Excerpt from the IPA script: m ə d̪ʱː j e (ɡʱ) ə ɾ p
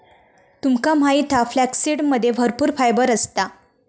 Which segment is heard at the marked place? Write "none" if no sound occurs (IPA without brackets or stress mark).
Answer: bʱ